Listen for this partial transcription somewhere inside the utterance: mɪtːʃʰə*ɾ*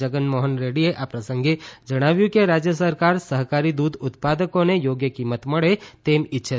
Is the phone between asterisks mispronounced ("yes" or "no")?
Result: yes